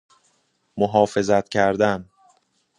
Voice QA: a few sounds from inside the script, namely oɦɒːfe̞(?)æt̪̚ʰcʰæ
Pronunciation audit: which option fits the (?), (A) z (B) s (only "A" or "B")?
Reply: A